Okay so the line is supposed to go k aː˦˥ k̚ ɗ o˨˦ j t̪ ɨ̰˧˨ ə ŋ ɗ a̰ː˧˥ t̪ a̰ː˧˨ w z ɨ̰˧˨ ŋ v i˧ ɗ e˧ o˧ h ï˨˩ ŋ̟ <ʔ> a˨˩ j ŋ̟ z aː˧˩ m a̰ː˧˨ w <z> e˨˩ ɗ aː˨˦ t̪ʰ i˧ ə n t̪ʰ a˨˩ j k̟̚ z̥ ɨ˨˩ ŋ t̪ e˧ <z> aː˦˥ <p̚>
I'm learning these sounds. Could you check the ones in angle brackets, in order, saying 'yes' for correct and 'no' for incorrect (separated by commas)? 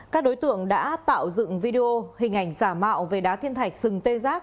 yes, no, yes, no